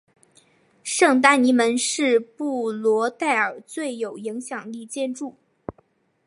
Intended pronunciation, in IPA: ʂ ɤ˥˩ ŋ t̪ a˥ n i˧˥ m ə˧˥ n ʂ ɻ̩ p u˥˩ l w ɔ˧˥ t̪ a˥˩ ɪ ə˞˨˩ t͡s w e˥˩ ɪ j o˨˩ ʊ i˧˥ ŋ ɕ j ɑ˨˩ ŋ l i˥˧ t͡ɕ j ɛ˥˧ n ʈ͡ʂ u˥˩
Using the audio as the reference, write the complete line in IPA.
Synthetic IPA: ʂ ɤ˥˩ ŋ t̪ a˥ n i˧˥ m ə˧˥ n ʂ ɻ̩ p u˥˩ l w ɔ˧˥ t̪ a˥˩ ɪ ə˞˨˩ t͡s w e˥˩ ɪ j o˨˩ ʊ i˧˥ ŋ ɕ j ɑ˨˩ ŋ l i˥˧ t͡ɕ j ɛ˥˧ n ʈ͡ʂ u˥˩